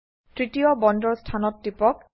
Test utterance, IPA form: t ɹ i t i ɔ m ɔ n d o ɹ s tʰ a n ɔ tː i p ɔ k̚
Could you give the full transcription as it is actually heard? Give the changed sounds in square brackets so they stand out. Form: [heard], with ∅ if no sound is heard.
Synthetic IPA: t ɹ i t i ɔ [b] ɔ n d [ɔ] ɹ s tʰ a n ɔ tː i p ɔ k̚